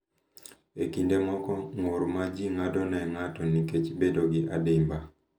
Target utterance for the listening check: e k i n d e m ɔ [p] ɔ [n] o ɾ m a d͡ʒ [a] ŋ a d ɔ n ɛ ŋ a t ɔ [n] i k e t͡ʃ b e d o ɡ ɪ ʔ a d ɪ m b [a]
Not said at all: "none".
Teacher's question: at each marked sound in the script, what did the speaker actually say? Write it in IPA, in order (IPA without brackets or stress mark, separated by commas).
k, ŋ, i, n, a